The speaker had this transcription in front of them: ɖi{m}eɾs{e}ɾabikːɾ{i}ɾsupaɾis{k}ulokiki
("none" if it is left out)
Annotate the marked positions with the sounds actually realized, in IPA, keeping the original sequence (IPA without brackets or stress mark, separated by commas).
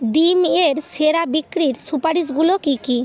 m, e, i, ɡ